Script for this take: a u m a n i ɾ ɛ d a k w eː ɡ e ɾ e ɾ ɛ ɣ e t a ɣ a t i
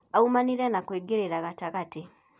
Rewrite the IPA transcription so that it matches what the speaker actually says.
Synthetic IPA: a u m a n i ɾ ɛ n a k w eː ɡ e ɾ e ɾ a ɣ a t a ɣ a t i